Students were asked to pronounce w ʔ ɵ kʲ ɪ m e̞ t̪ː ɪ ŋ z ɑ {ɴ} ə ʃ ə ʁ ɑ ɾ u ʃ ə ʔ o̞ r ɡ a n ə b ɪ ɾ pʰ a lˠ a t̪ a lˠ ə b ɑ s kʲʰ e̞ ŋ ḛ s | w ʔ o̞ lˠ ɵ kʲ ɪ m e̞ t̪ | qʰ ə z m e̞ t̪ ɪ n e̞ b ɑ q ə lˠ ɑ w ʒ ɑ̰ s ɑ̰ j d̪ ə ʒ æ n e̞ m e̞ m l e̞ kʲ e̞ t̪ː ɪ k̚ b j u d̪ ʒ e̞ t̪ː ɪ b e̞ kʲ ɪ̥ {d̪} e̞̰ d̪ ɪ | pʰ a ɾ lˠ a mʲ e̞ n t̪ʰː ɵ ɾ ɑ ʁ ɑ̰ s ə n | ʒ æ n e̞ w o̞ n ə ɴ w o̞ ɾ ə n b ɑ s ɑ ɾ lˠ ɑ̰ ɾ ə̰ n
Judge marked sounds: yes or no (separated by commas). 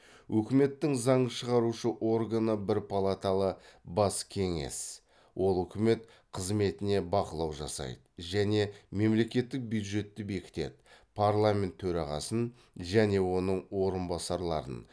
yes, no